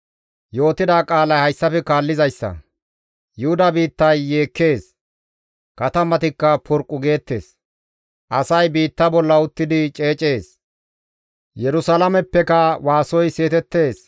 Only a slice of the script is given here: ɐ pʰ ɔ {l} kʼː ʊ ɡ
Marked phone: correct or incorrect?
incorrect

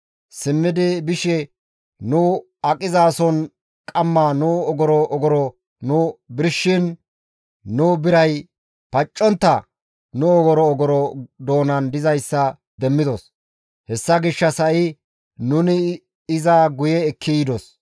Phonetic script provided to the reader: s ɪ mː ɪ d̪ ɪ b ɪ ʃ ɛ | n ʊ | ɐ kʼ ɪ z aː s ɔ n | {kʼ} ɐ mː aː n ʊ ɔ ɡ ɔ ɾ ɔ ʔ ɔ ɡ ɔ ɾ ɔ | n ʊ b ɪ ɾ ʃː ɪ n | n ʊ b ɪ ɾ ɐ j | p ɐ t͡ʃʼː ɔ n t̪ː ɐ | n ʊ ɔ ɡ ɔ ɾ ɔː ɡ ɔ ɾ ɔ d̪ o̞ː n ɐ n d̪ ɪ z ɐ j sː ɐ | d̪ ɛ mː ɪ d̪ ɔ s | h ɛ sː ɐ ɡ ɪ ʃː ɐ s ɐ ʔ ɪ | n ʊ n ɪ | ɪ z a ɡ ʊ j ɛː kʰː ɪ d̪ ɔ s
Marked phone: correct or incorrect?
correct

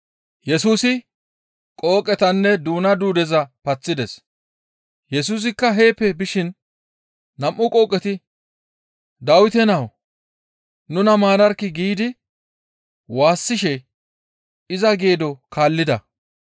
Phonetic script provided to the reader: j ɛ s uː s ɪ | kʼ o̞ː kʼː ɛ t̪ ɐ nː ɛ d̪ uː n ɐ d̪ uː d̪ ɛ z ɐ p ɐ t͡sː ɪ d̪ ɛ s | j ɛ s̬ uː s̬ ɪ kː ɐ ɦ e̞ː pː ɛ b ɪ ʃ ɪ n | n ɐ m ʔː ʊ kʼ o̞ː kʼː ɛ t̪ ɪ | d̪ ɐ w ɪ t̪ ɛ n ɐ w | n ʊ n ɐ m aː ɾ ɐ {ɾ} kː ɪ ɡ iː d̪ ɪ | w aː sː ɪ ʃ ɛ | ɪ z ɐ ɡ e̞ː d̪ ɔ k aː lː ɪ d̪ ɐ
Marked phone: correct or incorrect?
correct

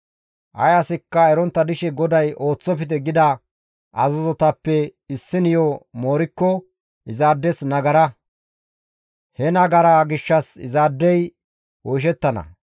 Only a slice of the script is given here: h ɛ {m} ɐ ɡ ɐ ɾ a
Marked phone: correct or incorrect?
incorrect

